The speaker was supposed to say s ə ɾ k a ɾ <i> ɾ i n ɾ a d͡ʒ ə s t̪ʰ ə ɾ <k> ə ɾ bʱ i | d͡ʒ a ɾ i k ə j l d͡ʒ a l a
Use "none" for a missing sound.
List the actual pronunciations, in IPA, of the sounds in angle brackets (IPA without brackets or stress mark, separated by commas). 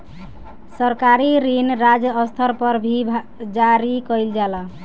i, p